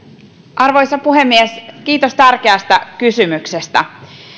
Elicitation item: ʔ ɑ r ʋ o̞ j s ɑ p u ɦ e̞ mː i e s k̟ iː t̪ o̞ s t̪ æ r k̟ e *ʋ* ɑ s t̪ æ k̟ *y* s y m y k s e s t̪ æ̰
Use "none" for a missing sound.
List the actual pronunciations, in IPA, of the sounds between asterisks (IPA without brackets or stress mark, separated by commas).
none, y